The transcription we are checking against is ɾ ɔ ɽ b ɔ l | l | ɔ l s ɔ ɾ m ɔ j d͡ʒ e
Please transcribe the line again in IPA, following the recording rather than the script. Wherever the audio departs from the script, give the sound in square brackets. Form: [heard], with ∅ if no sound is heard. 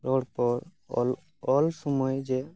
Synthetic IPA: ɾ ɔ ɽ [p] ɔ [ɾ] | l | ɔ l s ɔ [∅] m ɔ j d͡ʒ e